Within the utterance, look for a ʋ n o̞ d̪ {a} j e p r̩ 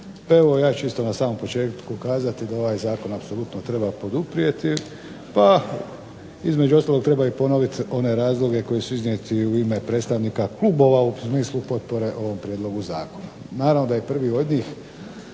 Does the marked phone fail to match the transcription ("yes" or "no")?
no